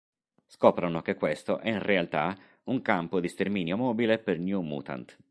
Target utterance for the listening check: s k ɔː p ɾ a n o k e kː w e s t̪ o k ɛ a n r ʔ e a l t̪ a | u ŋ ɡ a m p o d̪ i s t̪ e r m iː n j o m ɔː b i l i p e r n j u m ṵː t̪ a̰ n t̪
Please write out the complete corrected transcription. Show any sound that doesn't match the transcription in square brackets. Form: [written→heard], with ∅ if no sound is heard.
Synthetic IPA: s k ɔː p ɾ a n o k e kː w e s t̪ o [k→ʔ] ɛ [a→i] n r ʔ e a l t̪ a | u ŋ [ɡ→k] a m p o d̪ i s t̪ e r m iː n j o m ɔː b i l [i→e] p e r n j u m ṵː t̪ a̰ n t̪